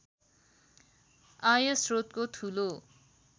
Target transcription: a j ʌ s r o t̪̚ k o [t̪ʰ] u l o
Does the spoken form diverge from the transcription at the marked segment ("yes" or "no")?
no